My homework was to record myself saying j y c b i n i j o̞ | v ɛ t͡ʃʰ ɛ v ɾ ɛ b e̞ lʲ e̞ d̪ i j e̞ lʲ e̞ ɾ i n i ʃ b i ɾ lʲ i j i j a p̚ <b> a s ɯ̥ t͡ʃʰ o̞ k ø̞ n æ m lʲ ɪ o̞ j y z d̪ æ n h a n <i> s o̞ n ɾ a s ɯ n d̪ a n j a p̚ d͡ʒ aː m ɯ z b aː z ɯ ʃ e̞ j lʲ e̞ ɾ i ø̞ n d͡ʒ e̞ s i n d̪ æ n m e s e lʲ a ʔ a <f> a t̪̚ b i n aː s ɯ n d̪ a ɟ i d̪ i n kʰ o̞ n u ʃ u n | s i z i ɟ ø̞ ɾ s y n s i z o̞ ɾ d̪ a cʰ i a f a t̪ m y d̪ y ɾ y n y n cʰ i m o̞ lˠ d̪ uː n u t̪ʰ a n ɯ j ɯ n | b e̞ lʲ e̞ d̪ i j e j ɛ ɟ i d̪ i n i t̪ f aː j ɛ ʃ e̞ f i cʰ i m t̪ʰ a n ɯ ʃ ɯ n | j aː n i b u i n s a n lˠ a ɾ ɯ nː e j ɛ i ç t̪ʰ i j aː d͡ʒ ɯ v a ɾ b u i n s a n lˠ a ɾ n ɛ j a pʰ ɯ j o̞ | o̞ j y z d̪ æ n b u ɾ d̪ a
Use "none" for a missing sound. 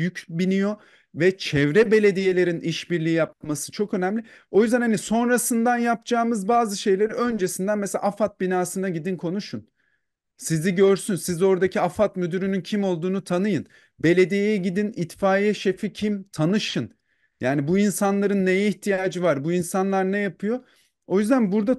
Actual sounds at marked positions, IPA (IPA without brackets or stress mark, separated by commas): m, i, f